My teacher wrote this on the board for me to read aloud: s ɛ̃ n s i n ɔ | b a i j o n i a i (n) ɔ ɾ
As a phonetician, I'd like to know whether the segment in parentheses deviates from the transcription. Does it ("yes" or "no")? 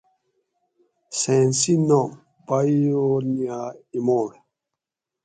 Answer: yes